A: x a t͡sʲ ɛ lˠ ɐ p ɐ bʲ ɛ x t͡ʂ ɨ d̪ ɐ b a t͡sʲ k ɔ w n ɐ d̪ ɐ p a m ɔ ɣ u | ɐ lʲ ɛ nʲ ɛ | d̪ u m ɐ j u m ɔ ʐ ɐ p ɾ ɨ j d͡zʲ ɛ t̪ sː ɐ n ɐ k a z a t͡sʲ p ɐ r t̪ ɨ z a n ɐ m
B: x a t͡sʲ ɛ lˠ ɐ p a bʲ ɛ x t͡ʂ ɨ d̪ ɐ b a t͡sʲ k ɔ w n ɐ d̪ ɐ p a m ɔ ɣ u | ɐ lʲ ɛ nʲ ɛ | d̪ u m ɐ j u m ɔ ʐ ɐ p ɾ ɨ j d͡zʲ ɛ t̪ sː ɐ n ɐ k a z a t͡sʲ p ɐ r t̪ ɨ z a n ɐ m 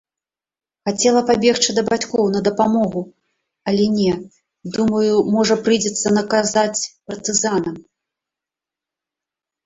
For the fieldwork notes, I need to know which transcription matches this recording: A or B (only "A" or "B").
B